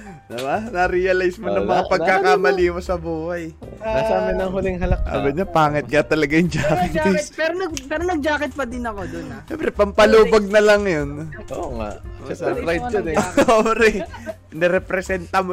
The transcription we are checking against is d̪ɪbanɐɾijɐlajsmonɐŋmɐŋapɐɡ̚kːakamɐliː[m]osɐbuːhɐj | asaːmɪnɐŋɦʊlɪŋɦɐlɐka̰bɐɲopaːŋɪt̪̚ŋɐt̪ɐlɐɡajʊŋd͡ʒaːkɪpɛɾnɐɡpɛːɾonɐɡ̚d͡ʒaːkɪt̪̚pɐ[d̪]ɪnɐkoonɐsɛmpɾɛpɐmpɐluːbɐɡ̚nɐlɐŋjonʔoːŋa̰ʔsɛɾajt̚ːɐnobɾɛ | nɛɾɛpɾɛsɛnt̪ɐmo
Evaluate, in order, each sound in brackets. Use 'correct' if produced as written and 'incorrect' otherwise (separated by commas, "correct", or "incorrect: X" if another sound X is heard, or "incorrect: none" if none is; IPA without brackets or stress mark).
correct, correct